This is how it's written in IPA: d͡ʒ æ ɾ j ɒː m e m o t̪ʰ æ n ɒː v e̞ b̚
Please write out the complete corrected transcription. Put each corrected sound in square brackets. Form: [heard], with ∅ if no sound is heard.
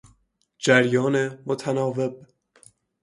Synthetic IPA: d͡ʒ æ ɾ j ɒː [n] e m o t̪ʰ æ n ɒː v e̞ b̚